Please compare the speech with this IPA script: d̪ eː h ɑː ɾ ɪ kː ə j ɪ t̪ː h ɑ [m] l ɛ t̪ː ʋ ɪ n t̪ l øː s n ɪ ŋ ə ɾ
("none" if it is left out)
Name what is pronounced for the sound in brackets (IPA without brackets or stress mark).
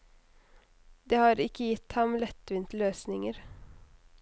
m